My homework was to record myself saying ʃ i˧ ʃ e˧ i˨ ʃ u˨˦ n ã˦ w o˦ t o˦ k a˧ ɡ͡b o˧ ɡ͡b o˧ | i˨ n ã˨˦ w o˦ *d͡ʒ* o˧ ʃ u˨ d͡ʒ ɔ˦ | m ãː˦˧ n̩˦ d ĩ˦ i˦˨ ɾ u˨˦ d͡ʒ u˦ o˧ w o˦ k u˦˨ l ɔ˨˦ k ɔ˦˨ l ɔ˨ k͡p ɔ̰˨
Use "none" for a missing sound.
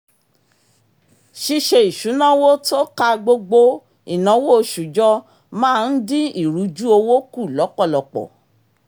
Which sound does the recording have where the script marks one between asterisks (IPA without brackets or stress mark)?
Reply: none